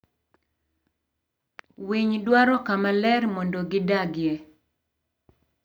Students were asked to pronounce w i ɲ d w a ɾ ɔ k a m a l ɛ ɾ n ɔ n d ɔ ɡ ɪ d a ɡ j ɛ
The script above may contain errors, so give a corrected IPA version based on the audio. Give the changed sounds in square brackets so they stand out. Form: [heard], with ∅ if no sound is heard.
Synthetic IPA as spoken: w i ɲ d w a ɾ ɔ k a m a l ɛ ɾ [m] ɔ n d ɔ ɡ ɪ d a ɡ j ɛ